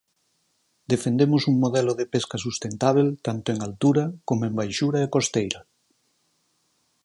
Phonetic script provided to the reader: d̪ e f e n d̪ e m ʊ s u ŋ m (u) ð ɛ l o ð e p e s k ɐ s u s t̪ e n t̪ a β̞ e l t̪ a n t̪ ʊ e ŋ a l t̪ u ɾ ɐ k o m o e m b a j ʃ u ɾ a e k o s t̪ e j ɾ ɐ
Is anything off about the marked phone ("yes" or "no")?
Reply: yes